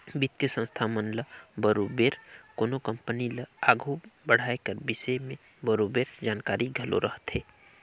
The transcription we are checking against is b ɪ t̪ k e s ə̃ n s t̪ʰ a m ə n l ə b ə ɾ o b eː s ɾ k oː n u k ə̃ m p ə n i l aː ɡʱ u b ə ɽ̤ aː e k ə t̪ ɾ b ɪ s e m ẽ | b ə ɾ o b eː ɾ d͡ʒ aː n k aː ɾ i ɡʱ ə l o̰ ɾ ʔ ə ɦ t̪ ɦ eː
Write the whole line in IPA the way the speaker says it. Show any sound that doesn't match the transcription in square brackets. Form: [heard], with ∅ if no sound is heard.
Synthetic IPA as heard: b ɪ t̪ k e s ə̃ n s t̪ʰ a m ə n l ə b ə ɾ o b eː [∅] ɾ k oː n [o] k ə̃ m p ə n i l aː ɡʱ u b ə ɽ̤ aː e k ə [∅] ɾ b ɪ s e m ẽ | b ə ɾ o b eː ɾ d͡ʒ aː n k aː ɾ i ɡʱ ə l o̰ ɾ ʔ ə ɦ t̪ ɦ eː